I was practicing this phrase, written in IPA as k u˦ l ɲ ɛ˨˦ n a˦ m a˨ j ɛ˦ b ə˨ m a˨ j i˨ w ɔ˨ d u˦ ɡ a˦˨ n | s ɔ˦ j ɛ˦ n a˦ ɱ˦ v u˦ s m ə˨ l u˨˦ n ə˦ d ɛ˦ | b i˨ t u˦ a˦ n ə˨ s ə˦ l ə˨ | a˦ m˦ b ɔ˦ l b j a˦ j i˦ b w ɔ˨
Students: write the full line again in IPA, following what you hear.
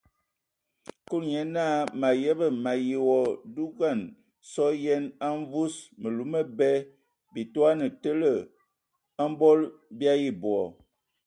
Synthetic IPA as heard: k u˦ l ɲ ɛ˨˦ n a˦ m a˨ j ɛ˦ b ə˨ m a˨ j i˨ w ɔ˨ d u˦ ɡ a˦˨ n | s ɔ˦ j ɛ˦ n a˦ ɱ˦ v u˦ s m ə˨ l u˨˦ m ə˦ b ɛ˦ | b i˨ t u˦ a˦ n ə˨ t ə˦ l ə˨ | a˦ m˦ b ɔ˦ l b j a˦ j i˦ b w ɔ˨